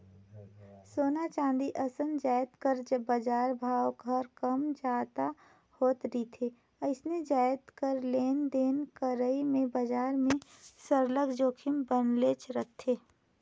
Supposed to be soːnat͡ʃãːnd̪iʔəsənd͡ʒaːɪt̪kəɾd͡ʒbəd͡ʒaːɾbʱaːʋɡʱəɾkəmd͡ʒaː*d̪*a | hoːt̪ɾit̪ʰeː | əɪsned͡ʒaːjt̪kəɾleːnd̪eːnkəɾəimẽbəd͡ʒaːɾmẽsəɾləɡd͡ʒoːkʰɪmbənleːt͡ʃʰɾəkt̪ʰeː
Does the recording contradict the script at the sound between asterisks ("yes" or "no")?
yes